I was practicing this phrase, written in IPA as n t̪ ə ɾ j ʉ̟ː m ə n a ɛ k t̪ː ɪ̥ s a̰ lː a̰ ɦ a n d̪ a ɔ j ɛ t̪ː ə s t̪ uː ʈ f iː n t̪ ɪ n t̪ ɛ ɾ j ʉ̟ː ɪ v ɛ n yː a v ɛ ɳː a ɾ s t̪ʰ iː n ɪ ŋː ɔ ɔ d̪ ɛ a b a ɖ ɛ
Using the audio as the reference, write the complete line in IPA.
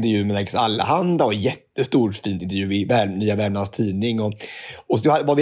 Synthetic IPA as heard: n t̪ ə ɾ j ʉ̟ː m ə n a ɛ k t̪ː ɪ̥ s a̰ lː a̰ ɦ a n d̪ a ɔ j ɛ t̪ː ə s t̪ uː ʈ f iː n t̪ ɪ n t̪ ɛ ɾ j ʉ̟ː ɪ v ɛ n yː a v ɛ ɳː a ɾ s t̪ʰ iː n ɪ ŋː ɔ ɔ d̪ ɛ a v a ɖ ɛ